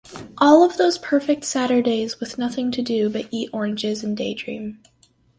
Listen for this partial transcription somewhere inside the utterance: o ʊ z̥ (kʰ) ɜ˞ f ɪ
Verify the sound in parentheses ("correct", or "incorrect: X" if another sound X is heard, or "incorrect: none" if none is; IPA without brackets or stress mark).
incorrect: pʰ